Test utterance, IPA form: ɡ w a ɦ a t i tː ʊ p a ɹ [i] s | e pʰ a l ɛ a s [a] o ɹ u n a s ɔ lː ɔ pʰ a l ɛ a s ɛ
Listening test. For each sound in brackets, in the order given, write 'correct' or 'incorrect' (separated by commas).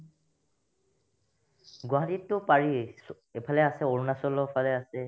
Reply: correct, incorrect